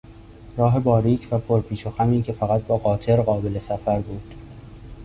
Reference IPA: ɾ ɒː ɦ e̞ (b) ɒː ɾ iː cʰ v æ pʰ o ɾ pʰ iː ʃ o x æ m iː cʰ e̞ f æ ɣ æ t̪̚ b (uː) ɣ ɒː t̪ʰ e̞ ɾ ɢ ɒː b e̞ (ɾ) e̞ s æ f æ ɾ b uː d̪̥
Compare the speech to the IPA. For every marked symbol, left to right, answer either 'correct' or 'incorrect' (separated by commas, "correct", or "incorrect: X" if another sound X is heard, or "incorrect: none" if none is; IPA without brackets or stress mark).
correct, incorrect: ɒː, incorrect: l